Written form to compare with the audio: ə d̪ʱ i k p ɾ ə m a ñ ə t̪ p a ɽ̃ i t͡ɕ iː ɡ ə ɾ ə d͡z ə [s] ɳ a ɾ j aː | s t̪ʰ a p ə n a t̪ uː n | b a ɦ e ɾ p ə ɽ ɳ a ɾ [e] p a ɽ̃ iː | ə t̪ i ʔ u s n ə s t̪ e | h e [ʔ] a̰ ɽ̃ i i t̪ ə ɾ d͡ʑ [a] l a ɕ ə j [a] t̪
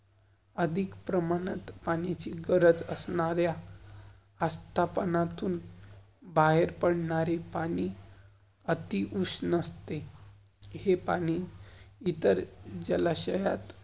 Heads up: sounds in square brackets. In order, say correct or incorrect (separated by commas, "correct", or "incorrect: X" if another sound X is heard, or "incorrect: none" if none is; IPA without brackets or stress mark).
correct, correct, incorrect: p, incorrect: ə, correct